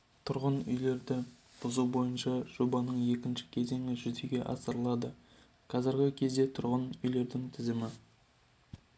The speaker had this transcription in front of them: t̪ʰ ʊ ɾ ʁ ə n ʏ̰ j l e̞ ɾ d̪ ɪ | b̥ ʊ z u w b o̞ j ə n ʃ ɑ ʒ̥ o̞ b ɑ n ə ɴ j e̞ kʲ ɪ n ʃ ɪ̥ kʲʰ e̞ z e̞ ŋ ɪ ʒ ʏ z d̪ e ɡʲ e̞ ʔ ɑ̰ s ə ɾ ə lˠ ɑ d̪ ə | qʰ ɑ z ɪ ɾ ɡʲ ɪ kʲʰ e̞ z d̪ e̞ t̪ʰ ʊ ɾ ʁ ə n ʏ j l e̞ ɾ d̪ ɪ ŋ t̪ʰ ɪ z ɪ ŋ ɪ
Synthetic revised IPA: t̪ʰ ʊ ɾ ʁ ə n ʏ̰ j l e̞ ɾ d̪ ɪ | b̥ ʊ z u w b o̞ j ə n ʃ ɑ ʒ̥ o̞ b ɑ n ə ɴ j e̞ kʲ ɪ n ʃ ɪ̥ kʲʰ e̞ z e̞ ŋ ɪ ʒ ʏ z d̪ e ɡʲ e̞ ʔ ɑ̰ s ə ɾ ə lˠ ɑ d̪ ə | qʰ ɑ z ɪ ɾ ɡʲ ɪ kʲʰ e̞ z d̪ e̞ t̪ʰ ʊ ɾ ʁ ə n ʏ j l e̞ ɾ d̪ ɪ ŋ t̪ʰ ɪ z ɪ m ɪ